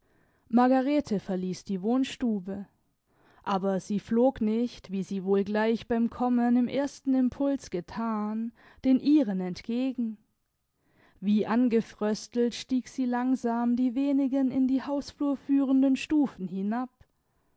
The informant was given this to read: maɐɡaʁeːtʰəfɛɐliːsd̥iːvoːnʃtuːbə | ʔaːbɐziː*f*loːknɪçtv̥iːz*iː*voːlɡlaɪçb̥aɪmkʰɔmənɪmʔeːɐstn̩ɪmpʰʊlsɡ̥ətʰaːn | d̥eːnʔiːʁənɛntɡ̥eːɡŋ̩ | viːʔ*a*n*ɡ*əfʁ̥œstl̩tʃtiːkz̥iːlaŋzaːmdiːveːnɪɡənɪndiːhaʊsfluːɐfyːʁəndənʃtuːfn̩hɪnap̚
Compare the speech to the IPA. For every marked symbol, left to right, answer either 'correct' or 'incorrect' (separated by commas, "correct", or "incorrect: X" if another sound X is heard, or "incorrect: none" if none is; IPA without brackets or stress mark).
correct, correct, correct, correct